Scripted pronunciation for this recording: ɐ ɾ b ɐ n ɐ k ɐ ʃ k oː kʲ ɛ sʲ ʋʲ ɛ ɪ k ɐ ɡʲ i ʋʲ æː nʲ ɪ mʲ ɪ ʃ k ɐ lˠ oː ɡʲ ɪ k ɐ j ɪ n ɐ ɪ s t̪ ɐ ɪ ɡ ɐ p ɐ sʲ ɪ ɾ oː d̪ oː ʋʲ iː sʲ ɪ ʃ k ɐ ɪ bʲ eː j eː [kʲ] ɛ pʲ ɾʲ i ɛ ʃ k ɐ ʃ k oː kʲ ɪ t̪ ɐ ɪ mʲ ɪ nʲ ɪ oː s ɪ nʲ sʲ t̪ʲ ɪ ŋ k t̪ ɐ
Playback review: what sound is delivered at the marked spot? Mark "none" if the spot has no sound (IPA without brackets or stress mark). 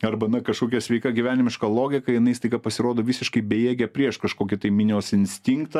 ɡʲ